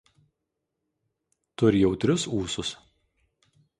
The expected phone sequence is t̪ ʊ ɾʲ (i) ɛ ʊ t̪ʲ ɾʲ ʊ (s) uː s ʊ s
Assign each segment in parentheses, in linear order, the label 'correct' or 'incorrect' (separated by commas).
incorrect, correct